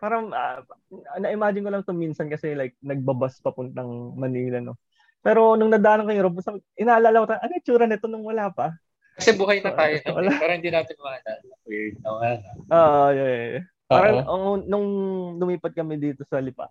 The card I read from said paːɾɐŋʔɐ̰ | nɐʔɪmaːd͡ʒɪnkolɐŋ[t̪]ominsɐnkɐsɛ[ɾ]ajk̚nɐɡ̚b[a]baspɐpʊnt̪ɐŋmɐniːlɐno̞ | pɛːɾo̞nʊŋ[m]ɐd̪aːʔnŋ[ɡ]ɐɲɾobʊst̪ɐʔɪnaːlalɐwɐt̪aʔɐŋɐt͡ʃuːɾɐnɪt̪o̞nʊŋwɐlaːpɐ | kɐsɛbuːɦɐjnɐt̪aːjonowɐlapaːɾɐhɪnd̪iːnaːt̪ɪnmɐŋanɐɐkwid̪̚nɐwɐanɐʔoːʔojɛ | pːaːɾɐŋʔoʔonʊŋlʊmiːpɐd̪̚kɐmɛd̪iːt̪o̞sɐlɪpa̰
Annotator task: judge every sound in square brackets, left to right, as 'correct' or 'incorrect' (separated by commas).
correct, incorrect, incorrect, incorrect, incorrect